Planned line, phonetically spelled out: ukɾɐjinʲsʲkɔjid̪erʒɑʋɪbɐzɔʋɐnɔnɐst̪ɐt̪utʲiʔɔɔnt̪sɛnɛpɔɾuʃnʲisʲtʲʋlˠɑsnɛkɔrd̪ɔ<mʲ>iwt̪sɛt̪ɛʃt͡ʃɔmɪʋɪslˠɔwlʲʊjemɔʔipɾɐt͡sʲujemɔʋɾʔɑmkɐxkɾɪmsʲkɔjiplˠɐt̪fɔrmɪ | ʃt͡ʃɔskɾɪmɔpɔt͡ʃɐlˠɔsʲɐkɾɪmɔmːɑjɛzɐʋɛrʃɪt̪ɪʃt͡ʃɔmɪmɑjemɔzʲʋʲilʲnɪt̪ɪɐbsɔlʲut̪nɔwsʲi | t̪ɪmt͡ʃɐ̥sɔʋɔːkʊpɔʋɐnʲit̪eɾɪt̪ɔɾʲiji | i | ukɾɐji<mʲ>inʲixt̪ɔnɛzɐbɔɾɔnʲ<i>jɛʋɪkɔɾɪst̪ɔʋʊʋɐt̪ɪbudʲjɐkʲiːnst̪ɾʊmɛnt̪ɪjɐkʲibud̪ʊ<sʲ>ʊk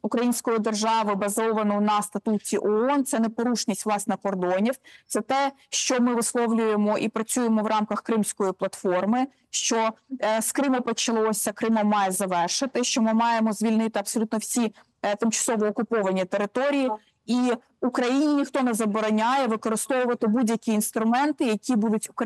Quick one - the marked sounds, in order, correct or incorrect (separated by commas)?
incorrect, incorrect, incorrect, incorrect